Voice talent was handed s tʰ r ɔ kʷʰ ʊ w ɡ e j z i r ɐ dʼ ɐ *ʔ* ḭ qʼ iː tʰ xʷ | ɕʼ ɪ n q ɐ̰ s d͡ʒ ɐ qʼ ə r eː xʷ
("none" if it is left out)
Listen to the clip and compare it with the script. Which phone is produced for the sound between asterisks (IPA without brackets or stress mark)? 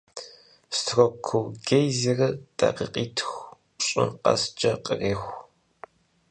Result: q